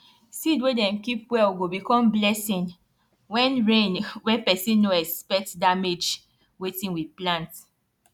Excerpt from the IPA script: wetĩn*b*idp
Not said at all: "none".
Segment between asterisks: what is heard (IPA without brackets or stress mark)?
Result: w